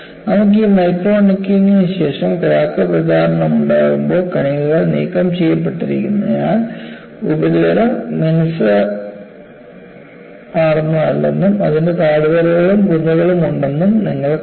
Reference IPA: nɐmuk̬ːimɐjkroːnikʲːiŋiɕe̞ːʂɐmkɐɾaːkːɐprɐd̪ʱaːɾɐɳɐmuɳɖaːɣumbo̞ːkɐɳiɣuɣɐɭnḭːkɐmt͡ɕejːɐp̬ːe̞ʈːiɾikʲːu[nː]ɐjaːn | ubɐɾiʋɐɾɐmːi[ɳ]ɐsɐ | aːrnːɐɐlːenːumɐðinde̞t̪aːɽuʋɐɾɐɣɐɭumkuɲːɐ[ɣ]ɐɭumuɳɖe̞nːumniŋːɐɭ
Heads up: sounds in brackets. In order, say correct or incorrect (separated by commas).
correct, incorrect, correct